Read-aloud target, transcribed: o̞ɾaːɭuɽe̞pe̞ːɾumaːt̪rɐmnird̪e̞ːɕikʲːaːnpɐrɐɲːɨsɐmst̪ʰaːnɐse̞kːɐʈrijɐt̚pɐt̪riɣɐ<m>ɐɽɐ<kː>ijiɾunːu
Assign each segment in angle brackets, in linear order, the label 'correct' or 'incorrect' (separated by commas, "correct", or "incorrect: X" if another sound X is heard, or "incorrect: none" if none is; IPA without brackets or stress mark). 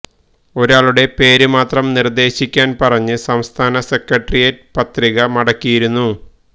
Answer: correct, correct